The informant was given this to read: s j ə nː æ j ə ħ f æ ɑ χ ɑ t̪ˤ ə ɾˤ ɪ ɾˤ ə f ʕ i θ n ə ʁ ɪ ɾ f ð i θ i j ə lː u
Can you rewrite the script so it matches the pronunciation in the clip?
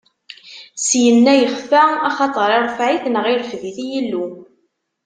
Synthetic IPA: s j ə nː æ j ə χ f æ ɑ χ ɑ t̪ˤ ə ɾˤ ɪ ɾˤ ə f ʕ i θ n ə ʁ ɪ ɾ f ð i θ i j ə lː u